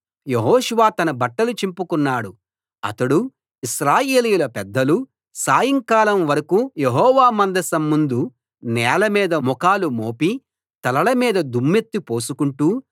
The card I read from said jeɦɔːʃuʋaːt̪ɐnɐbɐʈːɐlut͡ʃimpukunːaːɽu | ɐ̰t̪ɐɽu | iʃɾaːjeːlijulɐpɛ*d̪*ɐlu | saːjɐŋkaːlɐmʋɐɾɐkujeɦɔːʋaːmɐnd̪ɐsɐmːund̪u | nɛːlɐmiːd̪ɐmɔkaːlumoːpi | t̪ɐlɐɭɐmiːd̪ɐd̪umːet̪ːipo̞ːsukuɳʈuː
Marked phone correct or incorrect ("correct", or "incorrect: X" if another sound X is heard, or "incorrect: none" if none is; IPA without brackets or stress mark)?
incorrect: d̪ː